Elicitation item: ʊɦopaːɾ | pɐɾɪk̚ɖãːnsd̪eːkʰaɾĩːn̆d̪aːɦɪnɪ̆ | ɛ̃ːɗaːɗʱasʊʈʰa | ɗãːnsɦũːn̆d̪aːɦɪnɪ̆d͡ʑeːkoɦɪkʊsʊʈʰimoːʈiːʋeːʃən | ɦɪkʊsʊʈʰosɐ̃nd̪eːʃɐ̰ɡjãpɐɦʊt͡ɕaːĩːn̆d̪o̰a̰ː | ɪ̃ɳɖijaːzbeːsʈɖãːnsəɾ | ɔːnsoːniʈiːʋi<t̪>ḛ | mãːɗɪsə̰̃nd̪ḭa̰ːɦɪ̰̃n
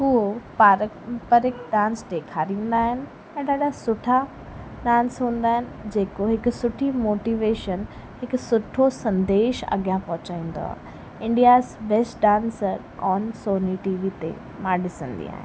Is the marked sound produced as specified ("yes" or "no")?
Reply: yes